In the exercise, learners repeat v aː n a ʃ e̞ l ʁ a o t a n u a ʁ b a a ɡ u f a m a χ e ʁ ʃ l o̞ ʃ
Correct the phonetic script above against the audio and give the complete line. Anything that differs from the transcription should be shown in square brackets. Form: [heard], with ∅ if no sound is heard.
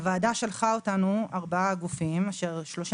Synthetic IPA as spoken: v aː [d] a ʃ e̞ l [χ] a o t a n u a ʁ b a a ɡ u f [i] m a [ʃ] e ʁ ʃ l o̞ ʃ